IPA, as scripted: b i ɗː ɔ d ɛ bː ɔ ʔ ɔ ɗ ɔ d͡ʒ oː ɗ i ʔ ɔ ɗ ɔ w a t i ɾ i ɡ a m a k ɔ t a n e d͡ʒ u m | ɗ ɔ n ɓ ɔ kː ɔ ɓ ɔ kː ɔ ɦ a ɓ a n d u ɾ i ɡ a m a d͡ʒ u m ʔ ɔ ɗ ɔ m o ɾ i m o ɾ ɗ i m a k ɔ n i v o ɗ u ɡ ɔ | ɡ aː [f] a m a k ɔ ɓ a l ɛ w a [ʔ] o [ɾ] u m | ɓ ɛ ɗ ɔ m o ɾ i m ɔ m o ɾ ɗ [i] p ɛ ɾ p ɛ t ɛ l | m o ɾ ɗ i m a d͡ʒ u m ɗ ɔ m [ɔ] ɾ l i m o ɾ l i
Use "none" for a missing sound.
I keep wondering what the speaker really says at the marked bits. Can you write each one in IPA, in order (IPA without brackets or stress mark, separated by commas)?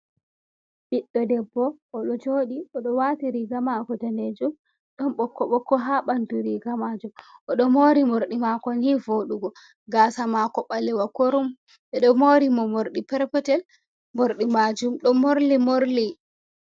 s, k, ɾ, i, o